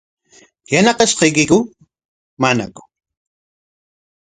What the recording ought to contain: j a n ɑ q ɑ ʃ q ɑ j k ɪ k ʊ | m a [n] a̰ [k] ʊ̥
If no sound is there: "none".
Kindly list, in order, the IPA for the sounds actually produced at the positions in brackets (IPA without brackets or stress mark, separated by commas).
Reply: n, k